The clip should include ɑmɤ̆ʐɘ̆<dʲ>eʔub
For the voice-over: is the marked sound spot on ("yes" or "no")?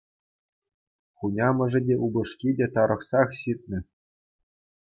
yes